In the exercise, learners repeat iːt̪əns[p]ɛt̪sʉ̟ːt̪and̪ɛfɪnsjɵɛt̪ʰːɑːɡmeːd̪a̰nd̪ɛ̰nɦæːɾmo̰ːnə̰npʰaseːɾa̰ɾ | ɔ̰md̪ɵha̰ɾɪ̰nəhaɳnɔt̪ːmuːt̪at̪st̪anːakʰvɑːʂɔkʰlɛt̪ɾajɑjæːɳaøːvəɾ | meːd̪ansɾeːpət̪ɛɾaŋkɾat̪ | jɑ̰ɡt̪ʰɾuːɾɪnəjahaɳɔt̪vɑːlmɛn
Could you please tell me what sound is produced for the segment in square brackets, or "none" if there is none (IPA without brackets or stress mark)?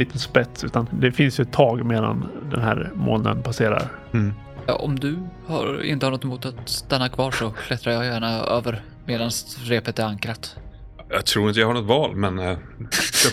p